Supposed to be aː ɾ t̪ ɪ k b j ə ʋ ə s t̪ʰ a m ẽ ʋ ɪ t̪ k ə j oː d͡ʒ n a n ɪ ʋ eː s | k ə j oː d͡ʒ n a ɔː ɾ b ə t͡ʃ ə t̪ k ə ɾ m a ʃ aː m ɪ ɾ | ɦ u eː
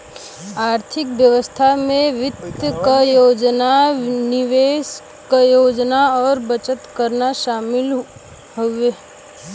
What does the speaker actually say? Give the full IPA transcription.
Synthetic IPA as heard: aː ɾ t̪ʰ ɪ k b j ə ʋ ə s t̪ʰ a m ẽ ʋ ɪ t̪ k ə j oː d͡ʒ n a n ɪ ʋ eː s | k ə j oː d͡ʒ n a ɔː ɾ b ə t͡ʃ ə t̪ k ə ɾ n a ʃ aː m ɪ l | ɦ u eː